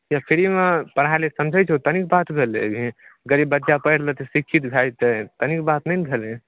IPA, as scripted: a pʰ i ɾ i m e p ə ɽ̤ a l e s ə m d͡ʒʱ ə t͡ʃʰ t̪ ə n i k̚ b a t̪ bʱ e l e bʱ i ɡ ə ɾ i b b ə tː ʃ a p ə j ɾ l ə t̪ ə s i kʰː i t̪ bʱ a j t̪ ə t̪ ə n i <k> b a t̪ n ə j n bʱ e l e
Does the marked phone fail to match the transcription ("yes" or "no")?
no